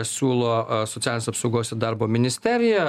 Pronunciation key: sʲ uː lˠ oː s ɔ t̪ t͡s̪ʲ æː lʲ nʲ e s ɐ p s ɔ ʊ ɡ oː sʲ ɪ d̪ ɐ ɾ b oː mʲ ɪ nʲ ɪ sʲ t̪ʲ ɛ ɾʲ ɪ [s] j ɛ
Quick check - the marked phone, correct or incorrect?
incorrect